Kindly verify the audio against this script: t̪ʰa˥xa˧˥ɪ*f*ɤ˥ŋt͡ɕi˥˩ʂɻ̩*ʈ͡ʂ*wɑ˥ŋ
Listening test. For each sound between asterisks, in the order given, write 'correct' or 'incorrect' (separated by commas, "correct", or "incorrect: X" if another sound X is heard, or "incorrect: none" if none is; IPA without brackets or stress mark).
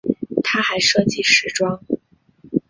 incorrect: ʂ, correct